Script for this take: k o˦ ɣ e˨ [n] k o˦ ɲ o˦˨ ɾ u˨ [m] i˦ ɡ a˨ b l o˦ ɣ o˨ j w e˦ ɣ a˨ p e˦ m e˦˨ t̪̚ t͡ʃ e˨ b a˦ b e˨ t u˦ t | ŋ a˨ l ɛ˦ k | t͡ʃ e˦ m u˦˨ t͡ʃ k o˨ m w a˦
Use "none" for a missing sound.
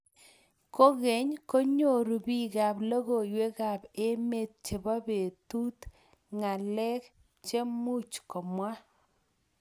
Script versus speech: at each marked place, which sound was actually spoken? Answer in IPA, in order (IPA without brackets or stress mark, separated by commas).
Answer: ɲ, b